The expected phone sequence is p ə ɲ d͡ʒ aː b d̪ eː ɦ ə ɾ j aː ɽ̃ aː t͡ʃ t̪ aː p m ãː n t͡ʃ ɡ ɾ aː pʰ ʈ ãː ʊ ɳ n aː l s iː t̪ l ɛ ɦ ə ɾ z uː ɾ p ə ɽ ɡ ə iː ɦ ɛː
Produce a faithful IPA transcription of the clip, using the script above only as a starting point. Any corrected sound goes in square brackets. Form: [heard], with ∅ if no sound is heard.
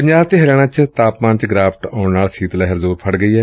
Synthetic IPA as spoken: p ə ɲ d͡ʒ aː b [t̪] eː ɦ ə ɾ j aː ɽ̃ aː t͡ʃ t̪ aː p m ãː n t͡ʃ ɡ ɾ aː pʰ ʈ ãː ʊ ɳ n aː l s iː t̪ l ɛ ɦ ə ɾ z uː ɾ [pʰ] ə ɽ ɡ ə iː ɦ ɛː